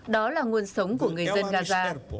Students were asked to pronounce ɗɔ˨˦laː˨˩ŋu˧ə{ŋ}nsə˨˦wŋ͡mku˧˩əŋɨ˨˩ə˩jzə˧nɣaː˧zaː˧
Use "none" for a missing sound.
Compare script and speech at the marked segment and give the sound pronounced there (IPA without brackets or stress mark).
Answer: none